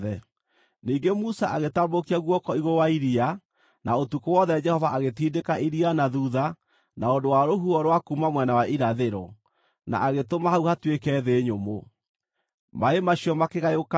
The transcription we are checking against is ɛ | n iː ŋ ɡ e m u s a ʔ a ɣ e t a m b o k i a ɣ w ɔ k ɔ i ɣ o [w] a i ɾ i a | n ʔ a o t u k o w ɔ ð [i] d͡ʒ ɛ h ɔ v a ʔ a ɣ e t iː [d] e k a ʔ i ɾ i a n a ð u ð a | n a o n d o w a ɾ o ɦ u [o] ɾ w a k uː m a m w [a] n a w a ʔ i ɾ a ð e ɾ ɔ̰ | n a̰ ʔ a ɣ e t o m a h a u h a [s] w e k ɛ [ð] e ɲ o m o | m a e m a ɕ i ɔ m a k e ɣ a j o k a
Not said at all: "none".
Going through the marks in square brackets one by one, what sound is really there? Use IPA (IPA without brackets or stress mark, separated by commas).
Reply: w, ɛ, d, ɔ, ɛ, t, ð